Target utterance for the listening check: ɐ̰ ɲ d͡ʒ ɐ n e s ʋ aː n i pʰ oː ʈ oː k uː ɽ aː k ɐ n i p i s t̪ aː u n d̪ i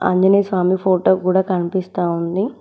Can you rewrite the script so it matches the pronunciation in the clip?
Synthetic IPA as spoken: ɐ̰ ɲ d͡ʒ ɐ n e s ʋ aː m i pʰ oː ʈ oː k uː ɽ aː k ɐ n i p i s t̪ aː u n d̪ i